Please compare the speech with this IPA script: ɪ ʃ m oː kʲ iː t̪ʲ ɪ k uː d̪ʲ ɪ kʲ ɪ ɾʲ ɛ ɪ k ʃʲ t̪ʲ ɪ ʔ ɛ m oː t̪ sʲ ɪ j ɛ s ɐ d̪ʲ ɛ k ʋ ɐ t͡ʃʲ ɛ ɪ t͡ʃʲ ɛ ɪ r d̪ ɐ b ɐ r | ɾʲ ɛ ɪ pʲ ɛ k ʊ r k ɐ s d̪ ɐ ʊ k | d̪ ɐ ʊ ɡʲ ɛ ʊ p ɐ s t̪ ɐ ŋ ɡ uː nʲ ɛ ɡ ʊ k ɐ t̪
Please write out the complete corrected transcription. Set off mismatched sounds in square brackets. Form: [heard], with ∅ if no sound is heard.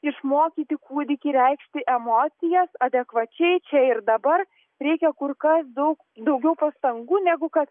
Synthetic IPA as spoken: ɪ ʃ m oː kʲ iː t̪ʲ ɪ k uː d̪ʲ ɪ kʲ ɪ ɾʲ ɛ ɪ k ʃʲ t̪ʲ ɪ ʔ ɛ m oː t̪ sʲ ɪ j ɛ s ɐ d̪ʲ ɛ k ʋ ɐ t͡ʃʲ ɛ ɪ t͡ʃʲ ɛ ɪ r d̪ ɐ b ɐ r | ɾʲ ɛ ɪ [kʲ] ɛ k ʊ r k ɐ s d̪ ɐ ʊ k | d̪ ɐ ʊ ɡʲ ɛ ʊ p ɐ s t̪ ɐ ŋ ɡ uː nʲ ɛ ɡ ʊ k ɐ t̪